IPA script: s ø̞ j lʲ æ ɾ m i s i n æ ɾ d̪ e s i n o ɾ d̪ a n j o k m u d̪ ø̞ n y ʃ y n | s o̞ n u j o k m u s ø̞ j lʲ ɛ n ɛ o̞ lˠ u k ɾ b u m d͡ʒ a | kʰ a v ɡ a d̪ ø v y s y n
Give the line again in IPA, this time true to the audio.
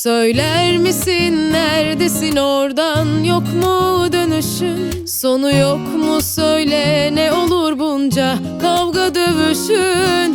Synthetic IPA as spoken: s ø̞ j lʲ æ ɾ m i s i nː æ ɾ d̪ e s i n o ɾ d̪ a n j o k m u d̪ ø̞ n y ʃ y n | s o̞ n u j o k m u s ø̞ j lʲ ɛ n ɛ o̞ lˠ u ɾ b u n d͡ʒ a | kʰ a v ɡ a d̪ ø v y ʃ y n